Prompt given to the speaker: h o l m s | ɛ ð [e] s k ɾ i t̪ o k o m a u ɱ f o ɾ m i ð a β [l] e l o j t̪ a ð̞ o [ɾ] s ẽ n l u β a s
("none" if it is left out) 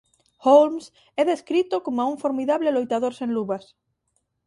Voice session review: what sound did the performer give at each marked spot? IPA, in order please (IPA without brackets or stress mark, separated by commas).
e, l, ɾ